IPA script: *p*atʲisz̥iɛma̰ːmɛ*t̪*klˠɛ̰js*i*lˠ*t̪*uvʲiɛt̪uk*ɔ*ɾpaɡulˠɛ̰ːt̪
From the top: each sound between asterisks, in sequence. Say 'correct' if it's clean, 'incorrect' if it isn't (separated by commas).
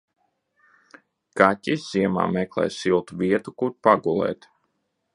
incorrect, incorrect, correct, correct, incorrect